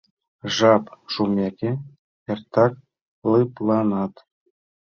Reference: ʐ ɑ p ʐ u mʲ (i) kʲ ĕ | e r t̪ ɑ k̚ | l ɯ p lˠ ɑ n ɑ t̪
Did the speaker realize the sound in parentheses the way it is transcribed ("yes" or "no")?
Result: no